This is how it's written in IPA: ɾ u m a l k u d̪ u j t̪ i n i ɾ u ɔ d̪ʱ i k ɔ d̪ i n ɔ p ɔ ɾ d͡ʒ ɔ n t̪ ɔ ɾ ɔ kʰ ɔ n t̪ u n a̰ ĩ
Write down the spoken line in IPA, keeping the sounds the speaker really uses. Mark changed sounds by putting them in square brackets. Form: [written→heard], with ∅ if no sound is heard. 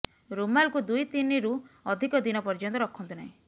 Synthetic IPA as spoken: ɾ u m a l k u d̪ u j t̪ i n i ɾ u ɔ d̪ʱ i k ɔ d̪ i n ɔ p ɔ ɾ d͡ʒ ɔ n t̪ ɔ ɾ ɔ kʰ ɔ n t̪ u n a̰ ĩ